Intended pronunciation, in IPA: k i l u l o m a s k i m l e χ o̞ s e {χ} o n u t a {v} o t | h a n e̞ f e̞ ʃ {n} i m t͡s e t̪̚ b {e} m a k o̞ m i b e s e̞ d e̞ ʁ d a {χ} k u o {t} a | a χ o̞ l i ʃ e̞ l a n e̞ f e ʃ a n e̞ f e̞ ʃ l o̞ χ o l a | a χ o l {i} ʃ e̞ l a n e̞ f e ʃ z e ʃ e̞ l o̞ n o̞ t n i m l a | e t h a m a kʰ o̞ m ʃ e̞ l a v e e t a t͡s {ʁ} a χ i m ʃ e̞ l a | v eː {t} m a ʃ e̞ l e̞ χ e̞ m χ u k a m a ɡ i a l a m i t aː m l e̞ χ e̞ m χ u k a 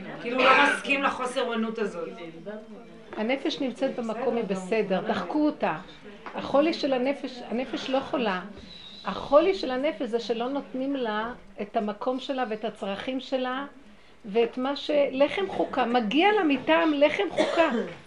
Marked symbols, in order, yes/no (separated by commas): no, no, yes, yes, yes, yes, yes, yes, yes